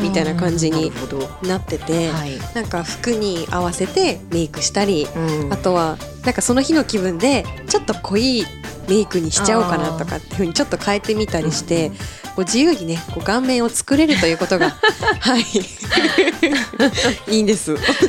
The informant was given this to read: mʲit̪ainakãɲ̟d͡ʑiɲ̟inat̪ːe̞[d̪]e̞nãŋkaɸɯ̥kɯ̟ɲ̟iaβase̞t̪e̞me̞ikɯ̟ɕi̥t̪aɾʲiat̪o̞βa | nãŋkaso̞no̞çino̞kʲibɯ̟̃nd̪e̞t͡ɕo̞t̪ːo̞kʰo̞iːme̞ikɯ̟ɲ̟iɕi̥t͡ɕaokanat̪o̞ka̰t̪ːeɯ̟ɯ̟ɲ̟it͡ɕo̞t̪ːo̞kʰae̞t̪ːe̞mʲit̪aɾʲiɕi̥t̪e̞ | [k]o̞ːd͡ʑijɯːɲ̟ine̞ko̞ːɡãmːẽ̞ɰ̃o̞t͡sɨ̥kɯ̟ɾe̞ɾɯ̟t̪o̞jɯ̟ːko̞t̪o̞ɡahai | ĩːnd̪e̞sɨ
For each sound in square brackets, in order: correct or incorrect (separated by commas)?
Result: incorrect, correct